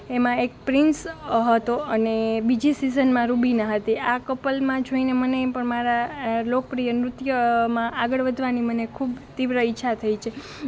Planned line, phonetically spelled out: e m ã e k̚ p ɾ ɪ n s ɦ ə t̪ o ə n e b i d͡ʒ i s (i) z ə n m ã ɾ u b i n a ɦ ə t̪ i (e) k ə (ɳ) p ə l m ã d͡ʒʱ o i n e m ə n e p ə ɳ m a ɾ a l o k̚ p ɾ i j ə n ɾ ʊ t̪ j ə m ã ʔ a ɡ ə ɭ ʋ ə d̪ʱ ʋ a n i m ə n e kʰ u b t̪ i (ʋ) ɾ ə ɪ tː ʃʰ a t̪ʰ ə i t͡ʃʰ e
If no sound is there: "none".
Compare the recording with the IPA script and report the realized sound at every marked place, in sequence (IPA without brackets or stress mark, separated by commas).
i, a, none, ʋ